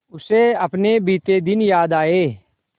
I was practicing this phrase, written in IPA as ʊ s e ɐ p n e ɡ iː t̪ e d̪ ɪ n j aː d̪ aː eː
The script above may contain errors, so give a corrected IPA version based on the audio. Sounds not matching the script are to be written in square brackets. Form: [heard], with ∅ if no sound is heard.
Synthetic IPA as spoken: ʊ s e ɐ p n e [b] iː t̪ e d̪ ɪ n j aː d̪ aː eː